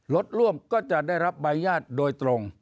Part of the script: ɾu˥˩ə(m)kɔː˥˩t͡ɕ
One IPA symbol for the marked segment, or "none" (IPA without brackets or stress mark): m